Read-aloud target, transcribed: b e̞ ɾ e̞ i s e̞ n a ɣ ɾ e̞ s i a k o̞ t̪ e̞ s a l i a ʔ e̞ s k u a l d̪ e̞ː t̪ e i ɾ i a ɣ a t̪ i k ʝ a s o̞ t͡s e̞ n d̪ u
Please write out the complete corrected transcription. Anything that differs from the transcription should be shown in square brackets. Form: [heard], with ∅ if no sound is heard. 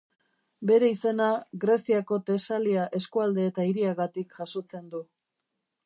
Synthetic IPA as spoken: b e̞ ɾ e̞ i s e̞ n a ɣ ɾ e̞ s i a k o̞ t̪ e̞ s a l i a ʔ e̞ s k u a l d̪ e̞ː t̪ [a] i ɾ i a ɣ a t̪ i k ʝ a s o̞ t͡s e̞ n d̪ u